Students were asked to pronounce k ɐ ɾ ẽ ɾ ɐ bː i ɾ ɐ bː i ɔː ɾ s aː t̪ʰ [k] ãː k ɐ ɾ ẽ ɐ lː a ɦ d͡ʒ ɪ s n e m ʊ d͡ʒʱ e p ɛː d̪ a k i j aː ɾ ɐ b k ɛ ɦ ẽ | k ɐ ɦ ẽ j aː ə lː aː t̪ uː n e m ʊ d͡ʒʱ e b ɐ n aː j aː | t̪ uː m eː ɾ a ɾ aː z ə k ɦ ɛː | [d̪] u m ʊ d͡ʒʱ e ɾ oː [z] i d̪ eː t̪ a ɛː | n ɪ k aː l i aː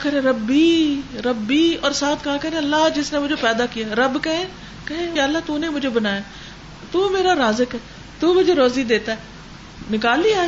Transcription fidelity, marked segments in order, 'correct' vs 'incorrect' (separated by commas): correct, incorrect, correct